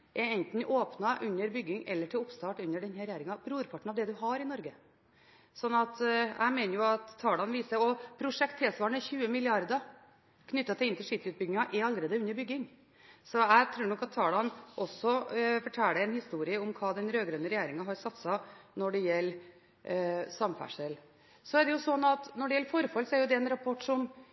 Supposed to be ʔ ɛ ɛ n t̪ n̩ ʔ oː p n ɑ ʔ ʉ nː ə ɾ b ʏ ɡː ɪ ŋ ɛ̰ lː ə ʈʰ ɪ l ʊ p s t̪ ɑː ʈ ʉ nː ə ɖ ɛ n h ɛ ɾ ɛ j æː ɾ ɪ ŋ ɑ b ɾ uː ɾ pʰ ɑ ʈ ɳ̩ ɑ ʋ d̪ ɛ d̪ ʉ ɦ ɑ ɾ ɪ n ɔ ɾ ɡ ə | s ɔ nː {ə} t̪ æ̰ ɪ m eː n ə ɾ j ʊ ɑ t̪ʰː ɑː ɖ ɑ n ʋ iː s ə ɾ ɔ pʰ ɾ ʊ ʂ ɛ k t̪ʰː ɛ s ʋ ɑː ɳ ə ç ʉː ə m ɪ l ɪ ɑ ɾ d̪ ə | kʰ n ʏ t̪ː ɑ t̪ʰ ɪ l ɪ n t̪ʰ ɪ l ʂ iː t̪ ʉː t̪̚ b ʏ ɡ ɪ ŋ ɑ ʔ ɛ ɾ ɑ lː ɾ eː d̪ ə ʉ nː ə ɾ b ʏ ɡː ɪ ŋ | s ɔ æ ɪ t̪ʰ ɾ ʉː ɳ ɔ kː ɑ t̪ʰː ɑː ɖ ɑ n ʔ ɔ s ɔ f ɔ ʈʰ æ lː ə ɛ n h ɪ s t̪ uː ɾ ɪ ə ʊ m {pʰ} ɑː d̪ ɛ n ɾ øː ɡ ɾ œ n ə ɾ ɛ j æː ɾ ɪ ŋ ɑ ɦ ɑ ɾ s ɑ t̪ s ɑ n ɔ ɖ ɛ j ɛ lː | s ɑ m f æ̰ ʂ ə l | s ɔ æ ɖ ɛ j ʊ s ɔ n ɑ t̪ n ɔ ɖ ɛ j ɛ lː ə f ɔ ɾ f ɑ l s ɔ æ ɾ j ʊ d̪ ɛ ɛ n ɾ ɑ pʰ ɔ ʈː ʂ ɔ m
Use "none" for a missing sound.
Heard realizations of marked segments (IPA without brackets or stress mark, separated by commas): ɑ, kʰ